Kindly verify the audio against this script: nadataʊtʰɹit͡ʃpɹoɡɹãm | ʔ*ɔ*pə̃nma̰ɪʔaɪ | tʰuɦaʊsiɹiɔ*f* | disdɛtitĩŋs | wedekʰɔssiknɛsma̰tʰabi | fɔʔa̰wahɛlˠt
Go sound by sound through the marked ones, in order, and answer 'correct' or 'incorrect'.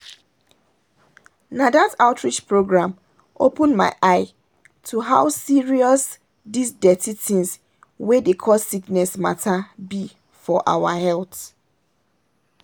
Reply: incorrect: o, incorrect: s

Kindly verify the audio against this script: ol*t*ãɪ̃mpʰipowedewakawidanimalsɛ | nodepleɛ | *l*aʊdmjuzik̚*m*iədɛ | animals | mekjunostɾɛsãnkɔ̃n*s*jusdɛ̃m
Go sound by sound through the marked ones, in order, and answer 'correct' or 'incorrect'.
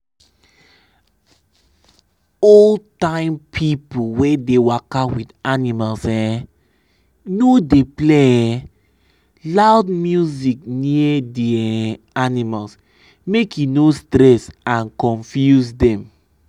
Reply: correct, correct, incorrect: n, incorrect: f

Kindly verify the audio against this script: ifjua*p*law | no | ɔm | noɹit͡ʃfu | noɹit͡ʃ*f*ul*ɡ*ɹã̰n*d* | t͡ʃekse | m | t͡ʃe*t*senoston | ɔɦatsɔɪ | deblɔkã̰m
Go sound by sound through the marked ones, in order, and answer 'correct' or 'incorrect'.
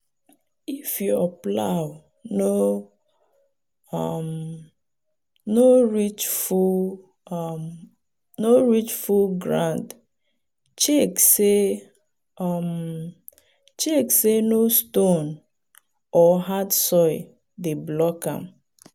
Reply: correct, correct, correct, correct, incorrect: k

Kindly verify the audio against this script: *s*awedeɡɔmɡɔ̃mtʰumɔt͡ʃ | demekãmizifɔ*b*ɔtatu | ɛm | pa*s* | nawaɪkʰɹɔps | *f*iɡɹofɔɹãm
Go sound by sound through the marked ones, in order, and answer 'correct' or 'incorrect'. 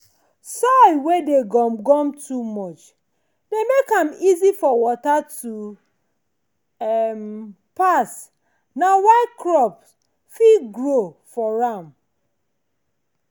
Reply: correct, incorrect: w, correct, correct

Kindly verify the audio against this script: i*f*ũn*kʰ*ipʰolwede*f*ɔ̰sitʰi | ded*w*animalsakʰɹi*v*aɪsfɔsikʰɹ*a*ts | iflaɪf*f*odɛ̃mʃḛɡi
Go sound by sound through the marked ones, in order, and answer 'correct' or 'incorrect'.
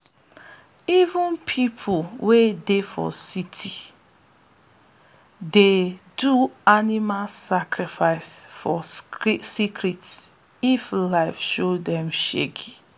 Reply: incorrect: v, incorrect: pʰ, correct, incorrect: u, incorrect: f, incorrect: i, incorrect: ʃ

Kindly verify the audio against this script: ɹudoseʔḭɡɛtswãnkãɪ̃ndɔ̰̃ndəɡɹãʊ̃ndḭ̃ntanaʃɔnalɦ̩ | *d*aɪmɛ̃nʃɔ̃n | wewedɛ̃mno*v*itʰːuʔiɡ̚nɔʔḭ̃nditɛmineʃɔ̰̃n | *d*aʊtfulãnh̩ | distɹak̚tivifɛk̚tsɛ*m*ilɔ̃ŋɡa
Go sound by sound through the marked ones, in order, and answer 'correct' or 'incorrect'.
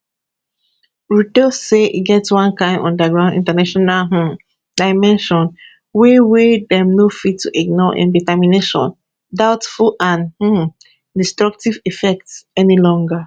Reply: correct, incorrect: f, correct, incorrect: n

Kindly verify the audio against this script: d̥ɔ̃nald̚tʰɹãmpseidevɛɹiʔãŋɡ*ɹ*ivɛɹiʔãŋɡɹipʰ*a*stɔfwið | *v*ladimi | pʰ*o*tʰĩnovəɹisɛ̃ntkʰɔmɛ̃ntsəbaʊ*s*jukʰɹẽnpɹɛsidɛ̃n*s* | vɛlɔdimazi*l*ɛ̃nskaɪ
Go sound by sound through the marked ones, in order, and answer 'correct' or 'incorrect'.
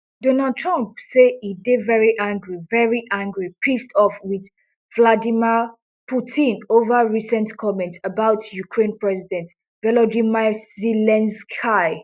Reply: correct, incorrect: i, correct, incorrect: u, incorrect: t, incorrect: t, correct

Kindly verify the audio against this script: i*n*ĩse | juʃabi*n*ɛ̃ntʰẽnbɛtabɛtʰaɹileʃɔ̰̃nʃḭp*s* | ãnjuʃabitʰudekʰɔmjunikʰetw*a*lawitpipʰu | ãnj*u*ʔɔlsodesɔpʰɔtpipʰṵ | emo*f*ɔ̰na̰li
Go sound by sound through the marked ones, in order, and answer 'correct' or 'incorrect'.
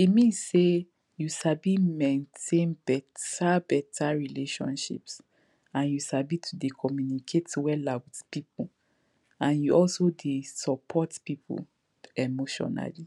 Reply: incorrect: m, incorrect: m, correct, incorrect: ɛ, correct, incorrect: ʃ

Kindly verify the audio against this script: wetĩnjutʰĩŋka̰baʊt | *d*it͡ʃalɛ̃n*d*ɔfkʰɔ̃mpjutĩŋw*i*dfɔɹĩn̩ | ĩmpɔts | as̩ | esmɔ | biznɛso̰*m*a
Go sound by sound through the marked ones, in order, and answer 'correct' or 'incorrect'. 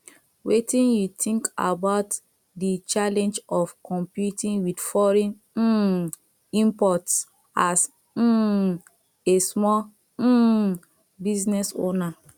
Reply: correct, incorrect: d͡ʒ, correct, incorrect: n

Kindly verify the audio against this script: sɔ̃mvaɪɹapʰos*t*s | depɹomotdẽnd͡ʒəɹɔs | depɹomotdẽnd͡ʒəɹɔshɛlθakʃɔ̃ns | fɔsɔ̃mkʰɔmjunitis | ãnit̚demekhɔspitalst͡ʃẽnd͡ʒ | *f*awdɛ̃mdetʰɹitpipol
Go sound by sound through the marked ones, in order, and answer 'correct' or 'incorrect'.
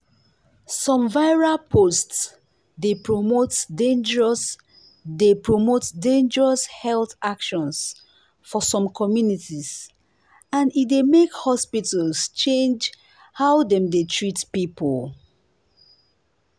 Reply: correct, incorrect: h

